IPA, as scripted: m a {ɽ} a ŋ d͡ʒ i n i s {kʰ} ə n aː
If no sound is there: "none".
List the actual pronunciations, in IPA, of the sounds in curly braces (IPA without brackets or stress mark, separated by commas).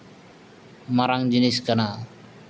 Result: ɾ, k